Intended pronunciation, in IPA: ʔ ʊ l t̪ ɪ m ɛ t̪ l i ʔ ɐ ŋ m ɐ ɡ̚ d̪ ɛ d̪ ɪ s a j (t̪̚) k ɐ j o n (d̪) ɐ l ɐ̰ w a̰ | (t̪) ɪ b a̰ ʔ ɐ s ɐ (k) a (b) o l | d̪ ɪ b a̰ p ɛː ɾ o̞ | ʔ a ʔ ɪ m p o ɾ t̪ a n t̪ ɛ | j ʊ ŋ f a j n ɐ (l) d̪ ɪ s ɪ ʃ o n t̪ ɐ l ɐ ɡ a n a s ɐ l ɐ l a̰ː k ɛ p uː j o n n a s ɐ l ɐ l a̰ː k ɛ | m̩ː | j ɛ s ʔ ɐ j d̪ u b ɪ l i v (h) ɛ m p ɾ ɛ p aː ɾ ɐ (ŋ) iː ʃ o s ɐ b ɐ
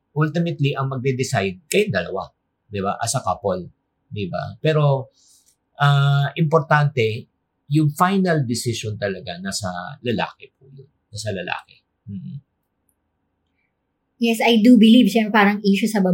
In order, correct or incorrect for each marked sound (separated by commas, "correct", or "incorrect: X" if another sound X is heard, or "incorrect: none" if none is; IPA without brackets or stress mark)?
incorrect: d̪̚, correct, incorrect: d̪, correct, incorrect: p, correct, incorrect: ʃ, correct